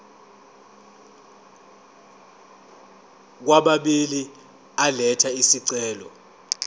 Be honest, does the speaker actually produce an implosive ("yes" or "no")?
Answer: yes